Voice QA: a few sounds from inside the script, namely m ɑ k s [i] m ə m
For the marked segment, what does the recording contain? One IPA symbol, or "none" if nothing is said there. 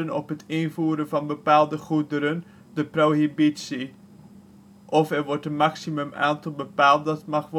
i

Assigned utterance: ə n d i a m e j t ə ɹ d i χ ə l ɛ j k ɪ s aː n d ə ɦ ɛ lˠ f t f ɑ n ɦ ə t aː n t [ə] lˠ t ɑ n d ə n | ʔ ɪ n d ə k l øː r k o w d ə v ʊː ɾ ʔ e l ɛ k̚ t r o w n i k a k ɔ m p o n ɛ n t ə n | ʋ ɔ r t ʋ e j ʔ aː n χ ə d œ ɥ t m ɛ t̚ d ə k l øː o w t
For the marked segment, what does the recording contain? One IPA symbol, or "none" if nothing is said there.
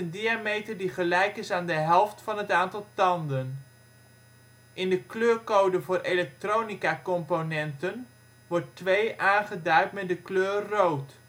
ɑ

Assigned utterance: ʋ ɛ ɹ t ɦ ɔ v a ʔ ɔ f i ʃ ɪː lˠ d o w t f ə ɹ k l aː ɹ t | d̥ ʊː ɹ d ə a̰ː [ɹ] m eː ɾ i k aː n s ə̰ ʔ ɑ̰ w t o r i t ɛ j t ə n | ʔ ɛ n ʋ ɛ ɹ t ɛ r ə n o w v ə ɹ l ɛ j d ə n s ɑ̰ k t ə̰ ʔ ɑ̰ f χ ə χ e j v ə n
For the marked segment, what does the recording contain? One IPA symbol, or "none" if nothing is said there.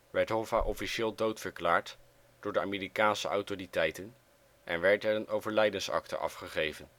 none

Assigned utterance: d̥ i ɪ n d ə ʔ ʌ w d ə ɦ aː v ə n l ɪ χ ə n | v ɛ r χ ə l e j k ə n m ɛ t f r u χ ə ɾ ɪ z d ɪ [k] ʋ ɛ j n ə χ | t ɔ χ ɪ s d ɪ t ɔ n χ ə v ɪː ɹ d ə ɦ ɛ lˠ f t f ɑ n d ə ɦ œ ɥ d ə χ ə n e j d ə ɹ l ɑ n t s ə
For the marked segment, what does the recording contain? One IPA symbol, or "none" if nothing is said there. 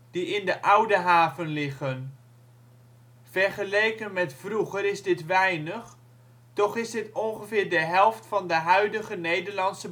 t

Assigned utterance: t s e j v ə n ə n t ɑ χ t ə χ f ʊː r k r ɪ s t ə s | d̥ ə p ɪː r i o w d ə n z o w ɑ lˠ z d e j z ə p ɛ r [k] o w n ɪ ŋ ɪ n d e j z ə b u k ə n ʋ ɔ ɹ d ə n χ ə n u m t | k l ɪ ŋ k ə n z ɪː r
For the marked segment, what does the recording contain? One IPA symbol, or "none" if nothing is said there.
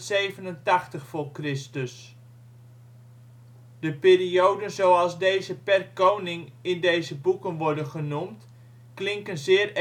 k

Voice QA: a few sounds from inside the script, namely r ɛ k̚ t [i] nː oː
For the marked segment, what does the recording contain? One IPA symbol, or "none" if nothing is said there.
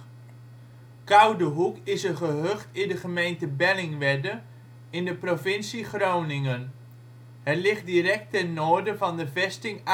ɛ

